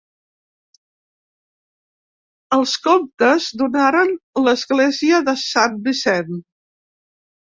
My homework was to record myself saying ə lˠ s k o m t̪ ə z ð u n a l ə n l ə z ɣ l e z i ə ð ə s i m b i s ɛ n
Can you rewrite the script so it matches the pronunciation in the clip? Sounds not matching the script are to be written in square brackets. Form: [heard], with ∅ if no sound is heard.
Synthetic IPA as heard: ə lˠ s k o m t̪ ə z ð u n a [ɾ] ə n l ə z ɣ l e z i ə ð ə s [a] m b i s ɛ n